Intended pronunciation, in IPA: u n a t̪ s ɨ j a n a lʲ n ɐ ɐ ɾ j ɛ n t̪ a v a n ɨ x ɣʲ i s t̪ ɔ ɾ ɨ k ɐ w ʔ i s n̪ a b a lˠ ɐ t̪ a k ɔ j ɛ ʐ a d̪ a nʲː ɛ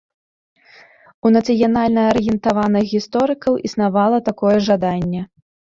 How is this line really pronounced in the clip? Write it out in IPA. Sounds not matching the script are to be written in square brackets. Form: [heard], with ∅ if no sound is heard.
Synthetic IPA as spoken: u n [ɐ] t̪ s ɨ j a n a lʲ n ɐ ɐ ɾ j ɛ n t̪ a v a n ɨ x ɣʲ i s t̪ ɔ ɾ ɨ k ɐ w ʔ i s n̪ a [v] a lˠ ɐ t̪ a k ɔ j ɛ ʐ a d̪ a nʲː ɛ